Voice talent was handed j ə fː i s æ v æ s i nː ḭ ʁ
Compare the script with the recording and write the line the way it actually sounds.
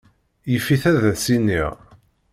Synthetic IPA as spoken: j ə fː i θ æ ð æ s i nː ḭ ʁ